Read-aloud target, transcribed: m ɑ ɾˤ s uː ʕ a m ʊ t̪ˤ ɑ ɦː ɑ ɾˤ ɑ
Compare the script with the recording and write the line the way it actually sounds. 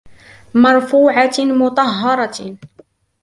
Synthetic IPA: m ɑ ɾˤ f uː ʕ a m ʊ t̪ˤ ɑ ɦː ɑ ɾˤ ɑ